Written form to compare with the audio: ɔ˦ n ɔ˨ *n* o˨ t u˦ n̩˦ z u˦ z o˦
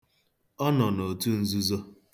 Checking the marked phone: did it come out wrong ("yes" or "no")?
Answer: no